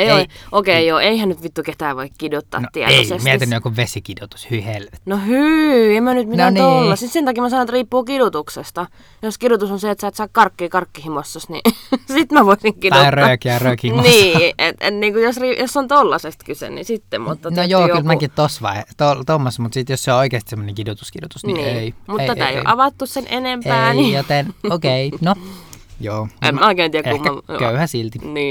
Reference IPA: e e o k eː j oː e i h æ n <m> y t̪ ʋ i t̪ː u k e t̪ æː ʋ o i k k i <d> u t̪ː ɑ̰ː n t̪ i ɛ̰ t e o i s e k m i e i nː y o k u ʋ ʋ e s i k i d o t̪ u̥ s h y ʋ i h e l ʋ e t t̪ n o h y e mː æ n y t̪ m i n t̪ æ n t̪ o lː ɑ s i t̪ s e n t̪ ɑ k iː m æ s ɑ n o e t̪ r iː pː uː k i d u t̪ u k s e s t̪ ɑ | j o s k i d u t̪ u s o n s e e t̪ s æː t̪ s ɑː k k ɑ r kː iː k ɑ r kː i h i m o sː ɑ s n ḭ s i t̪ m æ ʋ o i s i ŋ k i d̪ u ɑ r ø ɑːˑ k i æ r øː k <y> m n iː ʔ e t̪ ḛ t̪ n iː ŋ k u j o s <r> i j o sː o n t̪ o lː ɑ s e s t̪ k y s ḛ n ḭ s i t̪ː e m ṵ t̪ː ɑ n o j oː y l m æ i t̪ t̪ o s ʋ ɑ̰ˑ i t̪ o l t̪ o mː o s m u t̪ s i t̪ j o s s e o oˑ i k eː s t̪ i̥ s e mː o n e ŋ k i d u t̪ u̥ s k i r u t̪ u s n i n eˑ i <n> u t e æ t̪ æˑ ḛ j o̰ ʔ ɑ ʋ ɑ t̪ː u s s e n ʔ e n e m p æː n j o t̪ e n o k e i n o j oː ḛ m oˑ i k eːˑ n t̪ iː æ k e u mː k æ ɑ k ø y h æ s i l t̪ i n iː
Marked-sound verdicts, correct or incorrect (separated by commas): incorrect, correct, incorrect, correct, incorrect